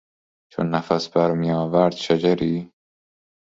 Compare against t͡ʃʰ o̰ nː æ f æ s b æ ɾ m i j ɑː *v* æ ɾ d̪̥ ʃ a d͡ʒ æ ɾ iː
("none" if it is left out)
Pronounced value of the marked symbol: v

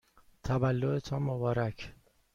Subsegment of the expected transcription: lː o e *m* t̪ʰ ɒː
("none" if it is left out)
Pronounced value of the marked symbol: none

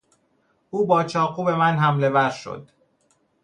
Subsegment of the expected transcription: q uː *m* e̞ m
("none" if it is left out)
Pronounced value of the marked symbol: b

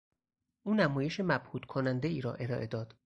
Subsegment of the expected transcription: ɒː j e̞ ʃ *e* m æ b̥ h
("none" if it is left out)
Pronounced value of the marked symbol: e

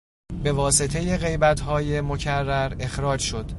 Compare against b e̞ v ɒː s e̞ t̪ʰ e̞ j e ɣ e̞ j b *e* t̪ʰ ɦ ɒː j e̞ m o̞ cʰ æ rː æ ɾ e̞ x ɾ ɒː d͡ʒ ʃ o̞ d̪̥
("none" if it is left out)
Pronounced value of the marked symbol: æ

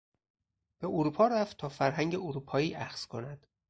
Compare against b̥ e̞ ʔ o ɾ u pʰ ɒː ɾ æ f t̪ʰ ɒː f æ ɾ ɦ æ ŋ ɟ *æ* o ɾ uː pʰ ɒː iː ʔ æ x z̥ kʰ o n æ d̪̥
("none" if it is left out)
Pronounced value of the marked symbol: e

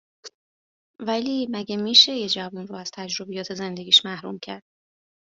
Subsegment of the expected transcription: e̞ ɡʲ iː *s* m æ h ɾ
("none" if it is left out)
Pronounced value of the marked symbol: ʃ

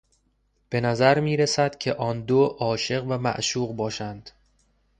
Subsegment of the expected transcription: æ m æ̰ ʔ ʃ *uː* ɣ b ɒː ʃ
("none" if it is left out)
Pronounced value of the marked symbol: uː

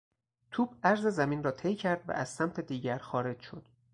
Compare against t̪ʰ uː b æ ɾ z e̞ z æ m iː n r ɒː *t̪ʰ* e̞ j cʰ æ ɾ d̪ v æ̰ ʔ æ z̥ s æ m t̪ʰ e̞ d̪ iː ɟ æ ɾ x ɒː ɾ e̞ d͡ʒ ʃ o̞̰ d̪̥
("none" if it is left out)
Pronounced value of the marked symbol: t̪ʰ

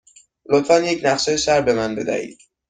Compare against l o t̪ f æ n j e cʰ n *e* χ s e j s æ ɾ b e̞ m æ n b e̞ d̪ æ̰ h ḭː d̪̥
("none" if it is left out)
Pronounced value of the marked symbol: æ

